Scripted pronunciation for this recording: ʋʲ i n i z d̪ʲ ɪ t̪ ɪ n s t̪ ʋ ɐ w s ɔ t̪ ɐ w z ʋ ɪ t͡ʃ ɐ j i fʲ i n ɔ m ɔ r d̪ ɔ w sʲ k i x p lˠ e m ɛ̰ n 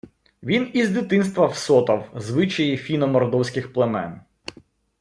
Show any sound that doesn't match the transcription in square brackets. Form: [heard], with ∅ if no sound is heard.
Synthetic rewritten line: ʋʲ i n i z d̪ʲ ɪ t̪ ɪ n s t̪ ʋ ɐ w s ɔ t̪ ɐ w z ʋ ɪ t͡ʃ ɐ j i fʲ i n ɔ m ɔ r d̪ ɔ w sʲ k [ɪ] x p lˠ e m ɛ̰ n